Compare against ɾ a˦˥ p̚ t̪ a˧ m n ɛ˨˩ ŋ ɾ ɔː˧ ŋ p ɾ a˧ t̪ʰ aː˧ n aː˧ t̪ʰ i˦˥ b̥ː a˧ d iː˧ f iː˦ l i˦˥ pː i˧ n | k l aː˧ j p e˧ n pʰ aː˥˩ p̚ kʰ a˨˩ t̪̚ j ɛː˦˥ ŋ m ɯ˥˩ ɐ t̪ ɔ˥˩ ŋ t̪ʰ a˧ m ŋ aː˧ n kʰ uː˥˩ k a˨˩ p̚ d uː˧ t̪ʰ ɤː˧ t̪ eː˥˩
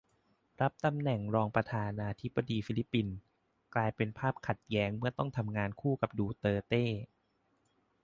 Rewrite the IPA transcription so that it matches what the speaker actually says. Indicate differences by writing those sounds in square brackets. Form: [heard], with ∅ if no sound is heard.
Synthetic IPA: ɾ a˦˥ p̚ t̪ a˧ m n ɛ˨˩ ŋ ɾ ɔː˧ ŋ p ɾ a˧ t̪ʰ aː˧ n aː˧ t̪ʰ i˦˥ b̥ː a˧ d iː˧ f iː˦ l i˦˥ pː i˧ n | k l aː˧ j p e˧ n pʰ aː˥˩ p̚ kʰ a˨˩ t̪̚ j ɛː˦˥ ŋ m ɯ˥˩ ɐ t̪ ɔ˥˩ ŋ t̪ʰ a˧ m ŋ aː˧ n kʰ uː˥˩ k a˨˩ p̚ d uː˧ [t̪] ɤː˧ t̪ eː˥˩